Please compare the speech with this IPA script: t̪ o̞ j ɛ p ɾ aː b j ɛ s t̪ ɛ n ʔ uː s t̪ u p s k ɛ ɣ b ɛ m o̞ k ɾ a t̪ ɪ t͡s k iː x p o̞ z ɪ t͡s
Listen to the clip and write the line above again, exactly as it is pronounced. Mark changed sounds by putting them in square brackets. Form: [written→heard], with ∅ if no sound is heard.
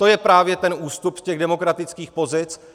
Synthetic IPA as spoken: t̪ o̞ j ɛ p ɾ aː [b→v] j ɛ [s→∅] t̪ ɛ n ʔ uː s t̪ u p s [k→c] ɛ ɣ [b→d] ɛ m o̞ k ɾ a t̪ ɪ t͡s k iː x p o̞ z ɪ t͡s